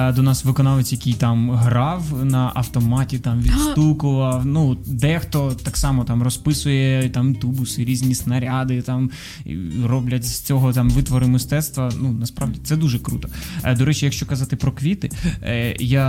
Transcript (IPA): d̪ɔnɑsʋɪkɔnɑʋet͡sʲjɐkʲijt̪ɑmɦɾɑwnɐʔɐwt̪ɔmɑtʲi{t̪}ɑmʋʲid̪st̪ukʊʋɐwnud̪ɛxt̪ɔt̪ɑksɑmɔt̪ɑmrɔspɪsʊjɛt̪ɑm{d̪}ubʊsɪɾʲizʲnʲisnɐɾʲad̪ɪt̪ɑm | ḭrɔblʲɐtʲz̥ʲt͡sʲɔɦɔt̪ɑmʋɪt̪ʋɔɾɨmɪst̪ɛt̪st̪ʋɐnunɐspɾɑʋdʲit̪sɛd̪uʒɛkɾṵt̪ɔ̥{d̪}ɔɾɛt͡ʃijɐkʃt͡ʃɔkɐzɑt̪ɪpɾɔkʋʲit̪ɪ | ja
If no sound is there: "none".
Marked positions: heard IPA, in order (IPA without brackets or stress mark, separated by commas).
t̪, t̪, d̪